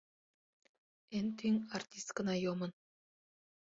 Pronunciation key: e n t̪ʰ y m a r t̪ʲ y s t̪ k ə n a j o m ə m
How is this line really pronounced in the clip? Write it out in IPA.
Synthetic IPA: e n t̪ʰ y ŋ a r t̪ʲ i s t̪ k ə n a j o m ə n

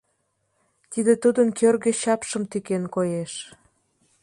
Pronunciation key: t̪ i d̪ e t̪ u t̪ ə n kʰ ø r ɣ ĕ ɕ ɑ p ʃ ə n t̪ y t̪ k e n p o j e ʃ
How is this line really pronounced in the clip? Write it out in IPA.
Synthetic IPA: t̪ i d̪ e t̪ u d̪ ə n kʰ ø r ɣ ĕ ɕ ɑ p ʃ ə m t̪ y k e n k o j e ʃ

